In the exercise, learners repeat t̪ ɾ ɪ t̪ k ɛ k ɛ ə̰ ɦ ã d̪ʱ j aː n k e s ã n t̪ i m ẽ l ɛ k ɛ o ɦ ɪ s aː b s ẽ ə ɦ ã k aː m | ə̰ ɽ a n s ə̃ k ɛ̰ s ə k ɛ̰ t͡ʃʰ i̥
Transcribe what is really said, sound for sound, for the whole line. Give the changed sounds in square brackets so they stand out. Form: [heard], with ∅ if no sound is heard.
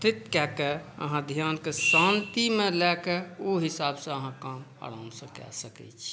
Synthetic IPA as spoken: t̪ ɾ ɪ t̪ k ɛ k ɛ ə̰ ɦ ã d̪ʱ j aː n k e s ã n t̪ i m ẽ l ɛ k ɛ o ɦ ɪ s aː b s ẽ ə ɦ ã k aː m | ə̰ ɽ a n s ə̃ k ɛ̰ s ə k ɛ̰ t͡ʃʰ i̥

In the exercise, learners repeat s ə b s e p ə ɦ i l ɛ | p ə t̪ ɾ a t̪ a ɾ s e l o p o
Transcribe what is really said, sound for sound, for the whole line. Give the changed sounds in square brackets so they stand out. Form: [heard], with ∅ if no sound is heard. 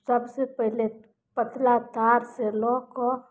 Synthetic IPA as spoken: s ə b s e p ə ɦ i l [e] | p ə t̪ [l] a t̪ a ɾ s e l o [k] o

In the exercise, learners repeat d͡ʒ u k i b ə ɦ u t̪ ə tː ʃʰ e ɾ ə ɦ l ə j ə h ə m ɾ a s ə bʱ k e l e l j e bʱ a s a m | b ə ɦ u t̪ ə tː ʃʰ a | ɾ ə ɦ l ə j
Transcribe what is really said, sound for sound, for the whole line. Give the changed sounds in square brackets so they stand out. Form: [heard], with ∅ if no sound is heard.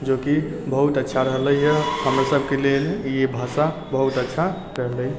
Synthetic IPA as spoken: d͡ʒ [o] k i b ə ɦ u t̪ ə tː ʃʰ [a] ɾ ə ɦ l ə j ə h ə m ɾ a s ə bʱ k e l e l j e bʱ a s a [∅] | b ə ɦ u t̪ ə tː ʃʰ a | ɾ ə ɦ l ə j

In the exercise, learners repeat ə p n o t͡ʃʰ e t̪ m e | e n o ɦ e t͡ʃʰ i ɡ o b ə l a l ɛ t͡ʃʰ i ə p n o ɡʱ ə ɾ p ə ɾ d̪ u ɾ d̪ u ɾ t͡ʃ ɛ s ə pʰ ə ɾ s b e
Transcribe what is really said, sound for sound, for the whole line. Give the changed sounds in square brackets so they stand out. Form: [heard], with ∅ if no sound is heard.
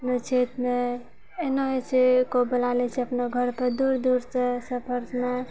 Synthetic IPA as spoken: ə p n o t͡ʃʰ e t̪ m e | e n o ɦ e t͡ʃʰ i [k] o b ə l a l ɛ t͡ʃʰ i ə p n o ɡʱ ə ɾ p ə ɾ d̪ u ɾ d̪ u ɾ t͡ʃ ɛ s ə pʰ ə ɾ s [m] e

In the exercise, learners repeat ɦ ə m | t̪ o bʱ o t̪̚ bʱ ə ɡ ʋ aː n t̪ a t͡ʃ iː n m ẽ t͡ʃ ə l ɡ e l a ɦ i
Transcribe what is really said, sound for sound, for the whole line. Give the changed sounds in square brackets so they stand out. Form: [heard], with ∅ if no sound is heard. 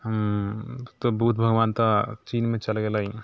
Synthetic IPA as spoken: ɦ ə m | t̪ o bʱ [u] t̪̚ bʱ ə ɡ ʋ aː n t̪ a t͡ʃ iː n m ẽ t͡ʃ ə l ɡ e l a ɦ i

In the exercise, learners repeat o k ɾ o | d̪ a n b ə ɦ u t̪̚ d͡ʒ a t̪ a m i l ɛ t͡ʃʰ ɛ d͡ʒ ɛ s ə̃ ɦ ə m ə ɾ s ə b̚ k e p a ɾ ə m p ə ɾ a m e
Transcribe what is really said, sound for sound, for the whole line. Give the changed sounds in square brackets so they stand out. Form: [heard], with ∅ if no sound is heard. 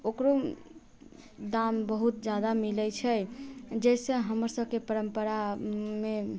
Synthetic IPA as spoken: o k ɾ o | d̪ a [m] b ə ɦ u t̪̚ d͡ʒ a [d̪] a m i l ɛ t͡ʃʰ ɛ d͡ʒ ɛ s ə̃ ɦ ə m ə ɾ s ə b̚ k e p [ə] ɾ ə m p ə ɾ a m e

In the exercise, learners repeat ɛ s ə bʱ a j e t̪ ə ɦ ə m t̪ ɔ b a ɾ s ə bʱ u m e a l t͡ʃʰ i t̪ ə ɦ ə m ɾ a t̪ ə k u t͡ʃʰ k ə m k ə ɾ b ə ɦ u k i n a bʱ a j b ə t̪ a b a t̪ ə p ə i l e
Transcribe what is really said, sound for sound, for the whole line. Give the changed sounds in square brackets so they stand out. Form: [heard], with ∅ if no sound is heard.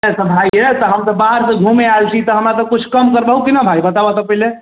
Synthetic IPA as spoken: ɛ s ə bʱ a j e t̪ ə ɦ ə m t̪ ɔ b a ɾ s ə [ɡʱ] u m e a l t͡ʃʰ i t̪ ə ɦ ə m ɾ a t̪ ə k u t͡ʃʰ k ə m k ə ɾ b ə ɦ u k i n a bʱ a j b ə t̪ a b a t̪ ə p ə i l e

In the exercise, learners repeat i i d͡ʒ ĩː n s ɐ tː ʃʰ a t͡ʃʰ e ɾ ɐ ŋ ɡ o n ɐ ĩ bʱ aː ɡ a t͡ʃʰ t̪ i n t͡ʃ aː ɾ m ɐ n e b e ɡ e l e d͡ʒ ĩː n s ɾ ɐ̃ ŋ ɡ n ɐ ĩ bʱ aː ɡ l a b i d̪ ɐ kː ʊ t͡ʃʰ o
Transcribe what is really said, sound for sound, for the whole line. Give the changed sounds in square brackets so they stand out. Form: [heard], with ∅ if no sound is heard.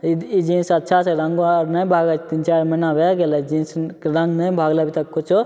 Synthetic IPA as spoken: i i d͡ʒ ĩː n s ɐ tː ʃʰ a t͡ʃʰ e ɾ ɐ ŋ ɡ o n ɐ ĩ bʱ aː ɡ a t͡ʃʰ t̪ i n t͡ʃ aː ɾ m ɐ n [a] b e ɡ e l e d͡ʒ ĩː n s ɾ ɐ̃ ŋ ɡ n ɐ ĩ bʱ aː ɡ l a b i [t̪] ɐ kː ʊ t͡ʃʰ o

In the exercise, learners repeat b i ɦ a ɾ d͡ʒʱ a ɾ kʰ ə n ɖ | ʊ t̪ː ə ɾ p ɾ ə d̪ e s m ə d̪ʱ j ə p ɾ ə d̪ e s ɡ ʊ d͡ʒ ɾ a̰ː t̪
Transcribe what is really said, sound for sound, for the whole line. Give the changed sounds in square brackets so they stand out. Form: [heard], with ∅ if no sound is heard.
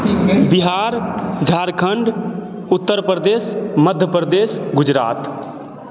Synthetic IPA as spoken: b i ɦ a ɾ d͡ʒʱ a ɾ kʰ ə [ɳ] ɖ | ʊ t̪ː ə ɾ p ɾ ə d̪ e s m ə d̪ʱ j ə p ɾ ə d̪ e s ɡ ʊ d͡ʒ ɾ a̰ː t̪

